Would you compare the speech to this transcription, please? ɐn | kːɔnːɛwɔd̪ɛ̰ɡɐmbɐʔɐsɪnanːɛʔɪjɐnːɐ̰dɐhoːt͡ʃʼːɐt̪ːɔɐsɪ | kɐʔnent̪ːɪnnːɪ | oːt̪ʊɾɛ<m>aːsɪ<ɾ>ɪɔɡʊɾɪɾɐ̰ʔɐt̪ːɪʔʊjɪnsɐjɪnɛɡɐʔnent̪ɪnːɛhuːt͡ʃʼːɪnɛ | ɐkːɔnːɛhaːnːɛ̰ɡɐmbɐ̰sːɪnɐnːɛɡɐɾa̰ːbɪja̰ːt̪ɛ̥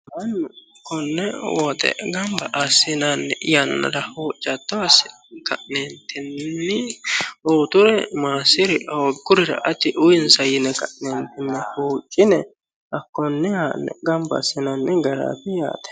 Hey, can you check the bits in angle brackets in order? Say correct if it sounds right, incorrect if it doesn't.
correct, correct

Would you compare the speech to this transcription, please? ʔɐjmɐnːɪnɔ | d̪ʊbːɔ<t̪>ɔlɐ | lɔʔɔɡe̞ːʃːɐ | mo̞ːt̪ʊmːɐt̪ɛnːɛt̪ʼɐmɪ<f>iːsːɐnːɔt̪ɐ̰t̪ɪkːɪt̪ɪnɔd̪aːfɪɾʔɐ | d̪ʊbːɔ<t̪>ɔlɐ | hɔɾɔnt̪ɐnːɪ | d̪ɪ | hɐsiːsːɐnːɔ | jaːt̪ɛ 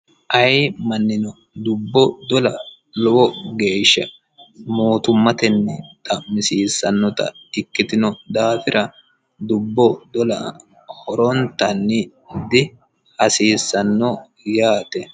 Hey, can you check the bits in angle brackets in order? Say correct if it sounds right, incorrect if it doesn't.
incorrect: d̪, incorrect: s, incorrect: d̪

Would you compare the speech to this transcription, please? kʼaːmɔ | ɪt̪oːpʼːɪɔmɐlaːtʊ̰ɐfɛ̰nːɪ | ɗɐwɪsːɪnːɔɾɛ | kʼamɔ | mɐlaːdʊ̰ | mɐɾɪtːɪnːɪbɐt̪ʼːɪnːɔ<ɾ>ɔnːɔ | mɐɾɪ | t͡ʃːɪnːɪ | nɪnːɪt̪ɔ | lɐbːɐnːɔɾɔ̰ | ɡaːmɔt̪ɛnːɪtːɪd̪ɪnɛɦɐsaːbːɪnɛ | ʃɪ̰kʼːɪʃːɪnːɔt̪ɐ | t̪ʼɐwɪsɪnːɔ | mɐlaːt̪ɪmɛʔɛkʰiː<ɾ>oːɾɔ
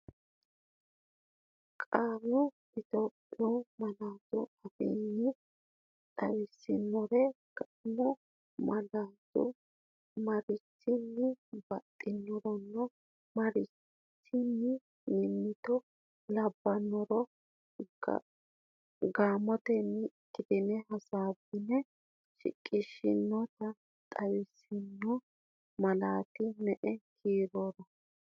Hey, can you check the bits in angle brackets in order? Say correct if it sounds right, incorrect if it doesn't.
correct, correct

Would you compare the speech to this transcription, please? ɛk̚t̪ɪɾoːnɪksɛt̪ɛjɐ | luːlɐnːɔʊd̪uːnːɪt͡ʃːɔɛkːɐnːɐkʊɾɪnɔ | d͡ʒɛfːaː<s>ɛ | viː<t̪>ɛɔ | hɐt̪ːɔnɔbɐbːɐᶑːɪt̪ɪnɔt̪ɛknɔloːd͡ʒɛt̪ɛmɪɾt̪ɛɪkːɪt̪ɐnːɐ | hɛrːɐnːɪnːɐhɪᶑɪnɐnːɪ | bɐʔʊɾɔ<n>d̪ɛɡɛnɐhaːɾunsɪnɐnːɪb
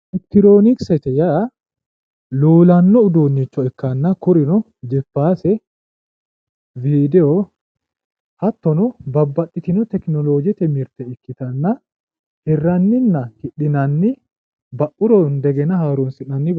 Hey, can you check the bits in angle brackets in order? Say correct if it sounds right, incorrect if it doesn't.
correct, incorrect: d̪, correct

